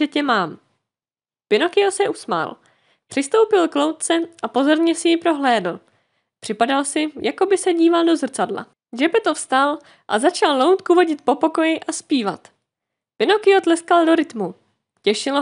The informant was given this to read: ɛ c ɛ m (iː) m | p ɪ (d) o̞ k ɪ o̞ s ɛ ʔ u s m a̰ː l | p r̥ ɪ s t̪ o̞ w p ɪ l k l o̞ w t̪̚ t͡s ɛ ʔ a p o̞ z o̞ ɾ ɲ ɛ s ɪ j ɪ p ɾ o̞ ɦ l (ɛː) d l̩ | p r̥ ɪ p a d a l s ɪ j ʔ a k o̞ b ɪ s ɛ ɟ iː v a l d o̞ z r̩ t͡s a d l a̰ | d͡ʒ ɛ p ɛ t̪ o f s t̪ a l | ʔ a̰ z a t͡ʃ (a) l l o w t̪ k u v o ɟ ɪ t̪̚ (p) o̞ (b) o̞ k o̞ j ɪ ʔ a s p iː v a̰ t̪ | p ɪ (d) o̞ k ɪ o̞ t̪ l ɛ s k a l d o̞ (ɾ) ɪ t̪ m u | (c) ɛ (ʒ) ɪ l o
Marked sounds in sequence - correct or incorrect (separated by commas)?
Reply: incorrect, incorrect, correct, correct, correct, incorrect, incorrect, correct, correct, incorrect